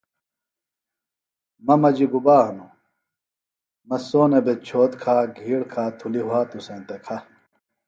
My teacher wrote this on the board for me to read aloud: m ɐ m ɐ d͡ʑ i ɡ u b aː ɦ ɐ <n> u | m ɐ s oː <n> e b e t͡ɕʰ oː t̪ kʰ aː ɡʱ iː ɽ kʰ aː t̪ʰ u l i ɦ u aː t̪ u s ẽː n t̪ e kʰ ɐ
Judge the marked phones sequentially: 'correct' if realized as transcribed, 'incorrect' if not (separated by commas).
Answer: correct, correct